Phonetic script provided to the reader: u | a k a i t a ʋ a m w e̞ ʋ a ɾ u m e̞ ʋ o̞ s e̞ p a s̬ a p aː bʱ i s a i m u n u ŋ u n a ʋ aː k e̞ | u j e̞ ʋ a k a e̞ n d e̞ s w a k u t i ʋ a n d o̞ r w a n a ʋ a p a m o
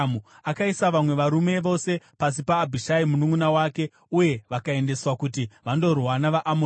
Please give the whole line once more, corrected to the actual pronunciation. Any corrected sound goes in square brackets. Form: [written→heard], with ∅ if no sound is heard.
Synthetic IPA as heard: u | a k a i [t→s] a ʋ a m w e̞ ʋ a ɾ u m e̞ ʋ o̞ s e̞ p a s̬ [a→i] p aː bʱ i [s→ʃ] a i m u n u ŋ u n a [ʋ→w] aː k e̞ | u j e̞ ʋ a k a e̞ n d e̞ s w a k u t i ʋ a n d o̞ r w a n a ʋ a [p→ʔ] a m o